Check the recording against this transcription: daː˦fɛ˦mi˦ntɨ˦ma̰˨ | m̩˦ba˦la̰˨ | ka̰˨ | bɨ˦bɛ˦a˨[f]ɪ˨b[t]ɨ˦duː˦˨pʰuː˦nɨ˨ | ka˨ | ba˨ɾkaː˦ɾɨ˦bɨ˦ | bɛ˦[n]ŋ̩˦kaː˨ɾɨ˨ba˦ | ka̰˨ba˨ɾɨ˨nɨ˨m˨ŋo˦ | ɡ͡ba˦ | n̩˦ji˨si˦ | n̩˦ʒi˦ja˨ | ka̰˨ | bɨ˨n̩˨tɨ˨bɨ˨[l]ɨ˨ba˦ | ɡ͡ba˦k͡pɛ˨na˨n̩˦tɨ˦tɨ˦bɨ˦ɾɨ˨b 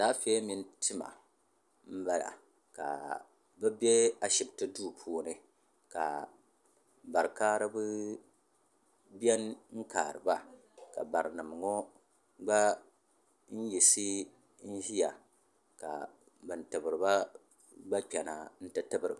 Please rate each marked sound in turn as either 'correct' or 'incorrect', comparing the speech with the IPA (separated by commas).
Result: incorrect, correct, correct, incorrect